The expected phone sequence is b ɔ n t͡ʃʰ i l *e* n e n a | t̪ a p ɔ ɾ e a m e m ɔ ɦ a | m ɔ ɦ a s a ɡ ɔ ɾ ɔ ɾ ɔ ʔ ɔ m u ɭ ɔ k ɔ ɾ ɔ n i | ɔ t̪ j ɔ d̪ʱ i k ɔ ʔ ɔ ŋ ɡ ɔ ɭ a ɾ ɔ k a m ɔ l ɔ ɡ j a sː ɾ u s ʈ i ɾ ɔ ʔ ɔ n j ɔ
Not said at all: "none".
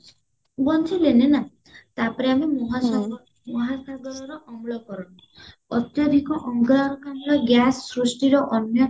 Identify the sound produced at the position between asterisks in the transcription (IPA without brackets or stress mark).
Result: e